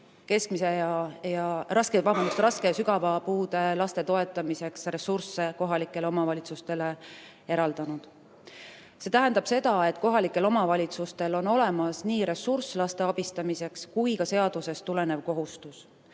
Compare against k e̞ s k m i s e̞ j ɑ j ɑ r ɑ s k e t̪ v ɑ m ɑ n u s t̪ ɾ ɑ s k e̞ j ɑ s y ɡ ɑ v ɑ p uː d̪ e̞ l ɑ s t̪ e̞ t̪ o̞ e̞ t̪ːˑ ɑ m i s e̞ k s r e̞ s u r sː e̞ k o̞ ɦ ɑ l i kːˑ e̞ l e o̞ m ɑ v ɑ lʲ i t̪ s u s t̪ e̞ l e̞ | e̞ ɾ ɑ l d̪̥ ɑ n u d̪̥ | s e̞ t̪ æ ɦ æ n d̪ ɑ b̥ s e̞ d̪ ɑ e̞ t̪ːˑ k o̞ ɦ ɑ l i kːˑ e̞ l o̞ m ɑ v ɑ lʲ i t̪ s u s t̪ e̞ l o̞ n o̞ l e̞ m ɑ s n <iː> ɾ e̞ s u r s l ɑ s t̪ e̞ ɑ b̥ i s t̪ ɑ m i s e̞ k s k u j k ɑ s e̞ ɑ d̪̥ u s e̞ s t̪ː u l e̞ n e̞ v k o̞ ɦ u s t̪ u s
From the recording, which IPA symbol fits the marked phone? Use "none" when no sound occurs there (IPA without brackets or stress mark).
iː